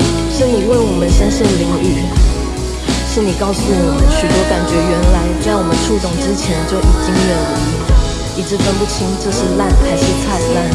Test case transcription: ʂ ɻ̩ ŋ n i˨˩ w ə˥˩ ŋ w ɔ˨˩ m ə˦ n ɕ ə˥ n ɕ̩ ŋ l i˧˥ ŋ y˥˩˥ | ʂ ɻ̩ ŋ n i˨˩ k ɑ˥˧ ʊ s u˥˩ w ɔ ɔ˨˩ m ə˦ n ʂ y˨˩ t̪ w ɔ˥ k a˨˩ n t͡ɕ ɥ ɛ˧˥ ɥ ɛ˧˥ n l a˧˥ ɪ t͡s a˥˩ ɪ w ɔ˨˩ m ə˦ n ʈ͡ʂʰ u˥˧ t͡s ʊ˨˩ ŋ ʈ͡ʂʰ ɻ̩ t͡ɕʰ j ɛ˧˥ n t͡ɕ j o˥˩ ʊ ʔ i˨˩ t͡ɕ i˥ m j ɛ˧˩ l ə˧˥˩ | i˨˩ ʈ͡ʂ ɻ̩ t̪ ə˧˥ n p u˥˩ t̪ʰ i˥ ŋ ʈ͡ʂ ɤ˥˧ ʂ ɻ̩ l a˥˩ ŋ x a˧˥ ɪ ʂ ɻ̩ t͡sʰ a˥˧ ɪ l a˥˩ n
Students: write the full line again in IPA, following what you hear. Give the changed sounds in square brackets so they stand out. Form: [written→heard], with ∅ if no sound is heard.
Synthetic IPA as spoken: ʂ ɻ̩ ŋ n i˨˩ w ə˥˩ [ŋ→n] w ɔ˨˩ m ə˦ n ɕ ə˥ n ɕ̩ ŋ l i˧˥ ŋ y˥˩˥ | ʂ ɻ̩ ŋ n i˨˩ k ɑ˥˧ ʊ s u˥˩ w ɔ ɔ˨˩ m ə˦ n [ʂ→ɕ] y˨˩ t̪ w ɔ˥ k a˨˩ n t͡ɕ ɥ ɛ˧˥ ɥ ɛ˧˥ n l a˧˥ ɪ t͡s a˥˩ ɪ w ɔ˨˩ m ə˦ n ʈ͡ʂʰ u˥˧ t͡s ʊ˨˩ ŋ [ʈ͡ʂʰ→ʈ͡ʂ] ɻ̩ t͡ɕʰ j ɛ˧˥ n t͡ɕ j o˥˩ ʊ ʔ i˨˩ t͡ɕ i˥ [m→ŋ] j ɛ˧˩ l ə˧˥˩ | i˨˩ ʈ͡ʂ ɻ̩ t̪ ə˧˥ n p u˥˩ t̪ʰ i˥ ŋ ʈ͡ʂ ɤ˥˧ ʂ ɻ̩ l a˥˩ [ŋ→n] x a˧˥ ɪ ʂ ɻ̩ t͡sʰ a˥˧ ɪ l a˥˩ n